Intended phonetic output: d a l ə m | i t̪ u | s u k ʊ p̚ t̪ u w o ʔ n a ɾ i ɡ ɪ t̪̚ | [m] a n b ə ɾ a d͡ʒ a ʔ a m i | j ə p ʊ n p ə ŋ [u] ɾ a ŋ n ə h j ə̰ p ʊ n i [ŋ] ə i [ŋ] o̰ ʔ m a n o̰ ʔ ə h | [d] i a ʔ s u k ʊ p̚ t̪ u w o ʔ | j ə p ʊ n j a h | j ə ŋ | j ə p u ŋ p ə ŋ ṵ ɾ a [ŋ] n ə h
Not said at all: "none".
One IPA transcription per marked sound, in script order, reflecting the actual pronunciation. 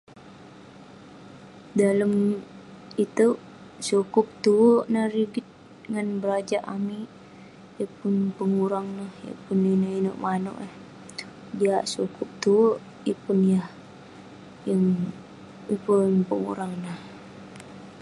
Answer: ŋ, u, n, n, d, ŋ

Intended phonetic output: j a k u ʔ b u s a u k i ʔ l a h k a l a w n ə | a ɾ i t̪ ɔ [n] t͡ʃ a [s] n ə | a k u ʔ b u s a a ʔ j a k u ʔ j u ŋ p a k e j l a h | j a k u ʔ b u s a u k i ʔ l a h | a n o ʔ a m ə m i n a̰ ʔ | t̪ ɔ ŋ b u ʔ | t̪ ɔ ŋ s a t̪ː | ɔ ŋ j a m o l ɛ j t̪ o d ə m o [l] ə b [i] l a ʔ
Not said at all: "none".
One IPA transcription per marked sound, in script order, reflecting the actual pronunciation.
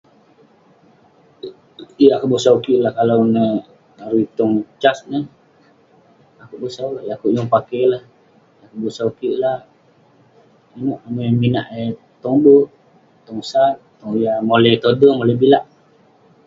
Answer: ŋ, s, l, i

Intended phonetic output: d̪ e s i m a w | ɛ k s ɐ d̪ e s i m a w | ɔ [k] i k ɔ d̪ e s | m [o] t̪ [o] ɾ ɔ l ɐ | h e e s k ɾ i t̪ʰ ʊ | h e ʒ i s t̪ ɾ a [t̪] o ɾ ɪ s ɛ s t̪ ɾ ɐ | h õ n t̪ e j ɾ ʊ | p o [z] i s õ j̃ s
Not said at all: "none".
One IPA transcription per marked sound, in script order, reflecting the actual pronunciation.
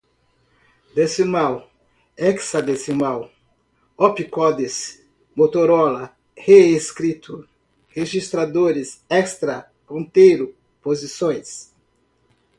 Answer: p, o, o, d̪, z

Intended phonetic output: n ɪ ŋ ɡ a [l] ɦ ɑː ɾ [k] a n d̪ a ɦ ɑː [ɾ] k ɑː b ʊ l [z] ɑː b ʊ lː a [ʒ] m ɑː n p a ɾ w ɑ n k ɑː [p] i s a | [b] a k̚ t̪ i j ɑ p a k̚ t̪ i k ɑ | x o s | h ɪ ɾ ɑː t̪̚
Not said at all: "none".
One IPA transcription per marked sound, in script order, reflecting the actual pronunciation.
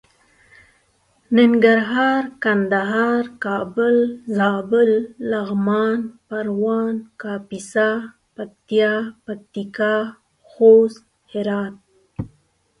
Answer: ɾ, k, ɾ, z, ɣ, p, p

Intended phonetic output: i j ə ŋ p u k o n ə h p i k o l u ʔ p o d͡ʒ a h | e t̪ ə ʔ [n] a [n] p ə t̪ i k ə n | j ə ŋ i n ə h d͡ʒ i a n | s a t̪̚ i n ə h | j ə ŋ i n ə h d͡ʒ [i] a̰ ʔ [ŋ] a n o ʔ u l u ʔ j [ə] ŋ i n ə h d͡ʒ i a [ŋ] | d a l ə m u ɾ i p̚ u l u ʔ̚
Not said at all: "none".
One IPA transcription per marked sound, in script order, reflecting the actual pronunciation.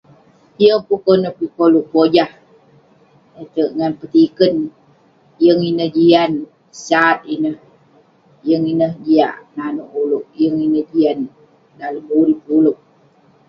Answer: ŋ, n, i, n, ə, n

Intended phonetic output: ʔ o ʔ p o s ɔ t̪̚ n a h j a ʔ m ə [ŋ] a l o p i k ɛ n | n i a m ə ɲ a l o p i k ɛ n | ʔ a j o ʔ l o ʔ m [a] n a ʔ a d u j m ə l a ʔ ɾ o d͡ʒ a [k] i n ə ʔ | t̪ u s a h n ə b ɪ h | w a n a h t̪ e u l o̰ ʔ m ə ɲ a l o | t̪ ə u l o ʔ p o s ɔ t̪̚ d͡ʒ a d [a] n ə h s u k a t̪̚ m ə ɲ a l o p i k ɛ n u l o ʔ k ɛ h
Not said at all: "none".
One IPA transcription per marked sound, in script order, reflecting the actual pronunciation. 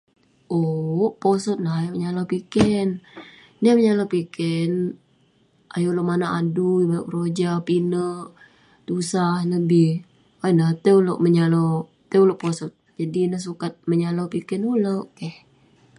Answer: ɲ, a, p, i

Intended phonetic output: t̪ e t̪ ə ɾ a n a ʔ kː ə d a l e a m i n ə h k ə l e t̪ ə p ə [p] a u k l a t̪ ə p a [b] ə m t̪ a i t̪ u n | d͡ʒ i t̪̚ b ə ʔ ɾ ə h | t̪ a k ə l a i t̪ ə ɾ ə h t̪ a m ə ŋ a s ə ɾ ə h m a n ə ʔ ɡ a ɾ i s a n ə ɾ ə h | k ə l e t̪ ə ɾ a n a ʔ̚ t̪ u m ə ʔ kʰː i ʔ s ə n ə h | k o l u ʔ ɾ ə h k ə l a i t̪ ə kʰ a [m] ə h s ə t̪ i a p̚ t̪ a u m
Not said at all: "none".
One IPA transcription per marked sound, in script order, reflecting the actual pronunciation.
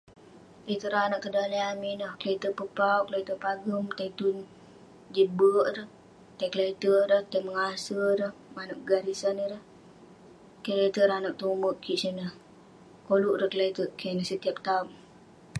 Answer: p, ɡ, n

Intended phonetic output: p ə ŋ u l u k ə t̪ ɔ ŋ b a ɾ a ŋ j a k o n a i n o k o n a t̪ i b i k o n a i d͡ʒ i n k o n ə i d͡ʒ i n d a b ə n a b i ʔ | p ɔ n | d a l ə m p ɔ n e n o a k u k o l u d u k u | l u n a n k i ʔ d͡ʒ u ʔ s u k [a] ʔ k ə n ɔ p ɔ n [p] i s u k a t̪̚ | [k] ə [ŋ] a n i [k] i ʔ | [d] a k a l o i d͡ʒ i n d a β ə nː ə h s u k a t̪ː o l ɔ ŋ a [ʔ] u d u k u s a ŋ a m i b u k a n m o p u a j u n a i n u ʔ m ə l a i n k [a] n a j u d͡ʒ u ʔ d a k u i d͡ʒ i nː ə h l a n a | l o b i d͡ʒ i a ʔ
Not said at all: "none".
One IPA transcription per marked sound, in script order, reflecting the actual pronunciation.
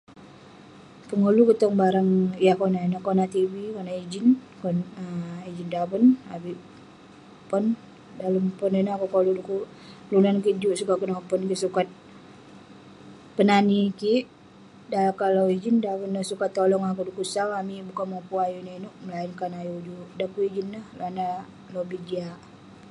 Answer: a, k, p, n, k, d, k, a

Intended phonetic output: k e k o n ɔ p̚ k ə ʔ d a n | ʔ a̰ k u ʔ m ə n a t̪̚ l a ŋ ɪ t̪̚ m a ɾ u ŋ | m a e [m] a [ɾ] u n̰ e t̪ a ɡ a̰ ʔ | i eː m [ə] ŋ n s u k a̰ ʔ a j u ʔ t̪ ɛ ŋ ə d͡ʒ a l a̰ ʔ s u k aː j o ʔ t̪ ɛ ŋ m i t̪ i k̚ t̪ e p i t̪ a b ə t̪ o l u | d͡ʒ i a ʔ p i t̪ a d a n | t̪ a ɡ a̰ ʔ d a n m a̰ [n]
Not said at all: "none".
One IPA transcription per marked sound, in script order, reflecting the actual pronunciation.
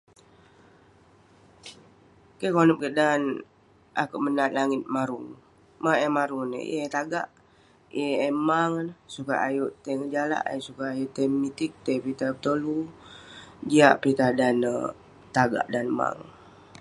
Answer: m, ɾ, a, ŋ

